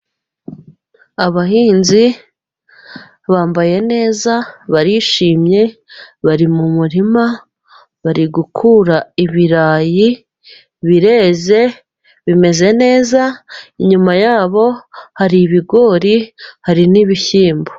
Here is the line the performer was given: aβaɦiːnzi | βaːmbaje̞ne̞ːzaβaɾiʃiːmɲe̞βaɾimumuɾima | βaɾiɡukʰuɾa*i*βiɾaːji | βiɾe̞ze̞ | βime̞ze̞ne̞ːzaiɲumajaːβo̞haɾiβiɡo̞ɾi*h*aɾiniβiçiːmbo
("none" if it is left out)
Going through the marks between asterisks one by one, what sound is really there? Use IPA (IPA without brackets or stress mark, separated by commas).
i, h